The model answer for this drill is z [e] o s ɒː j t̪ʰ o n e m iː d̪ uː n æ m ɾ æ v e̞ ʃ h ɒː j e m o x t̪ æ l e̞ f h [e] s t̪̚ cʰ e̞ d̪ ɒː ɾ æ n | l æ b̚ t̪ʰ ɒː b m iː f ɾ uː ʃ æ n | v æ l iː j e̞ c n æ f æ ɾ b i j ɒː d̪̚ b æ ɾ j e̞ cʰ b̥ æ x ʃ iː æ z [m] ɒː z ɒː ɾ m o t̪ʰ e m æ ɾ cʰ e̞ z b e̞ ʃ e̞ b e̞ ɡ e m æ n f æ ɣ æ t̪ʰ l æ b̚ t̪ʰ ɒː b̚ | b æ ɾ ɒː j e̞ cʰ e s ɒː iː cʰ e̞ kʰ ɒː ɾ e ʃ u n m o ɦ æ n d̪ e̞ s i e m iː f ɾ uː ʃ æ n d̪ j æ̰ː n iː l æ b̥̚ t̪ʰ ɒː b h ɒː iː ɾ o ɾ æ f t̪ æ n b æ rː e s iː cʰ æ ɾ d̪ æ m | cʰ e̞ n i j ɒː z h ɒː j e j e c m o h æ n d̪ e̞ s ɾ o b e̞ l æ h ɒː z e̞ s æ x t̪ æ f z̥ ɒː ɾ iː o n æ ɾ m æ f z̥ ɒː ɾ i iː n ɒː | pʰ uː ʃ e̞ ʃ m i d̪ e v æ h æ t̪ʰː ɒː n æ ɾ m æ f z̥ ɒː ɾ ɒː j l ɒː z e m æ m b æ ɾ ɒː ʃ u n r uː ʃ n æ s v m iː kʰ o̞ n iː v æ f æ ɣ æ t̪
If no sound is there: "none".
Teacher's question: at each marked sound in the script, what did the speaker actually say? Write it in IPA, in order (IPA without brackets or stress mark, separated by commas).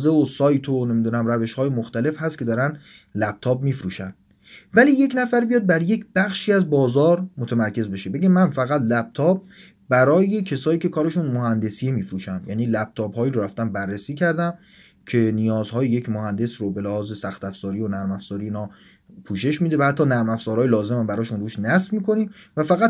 e, æ, b